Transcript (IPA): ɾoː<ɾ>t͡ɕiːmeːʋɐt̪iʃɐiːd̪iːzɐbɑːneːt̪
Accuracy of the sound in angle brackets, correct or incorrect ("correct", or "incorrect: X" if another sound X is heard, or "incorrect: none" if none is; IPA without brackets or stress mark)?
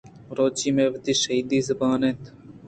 incorrect: none